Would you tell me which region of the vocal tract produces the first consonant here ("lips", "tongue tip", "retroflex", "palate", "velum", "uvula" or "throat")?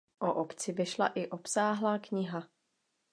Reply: throat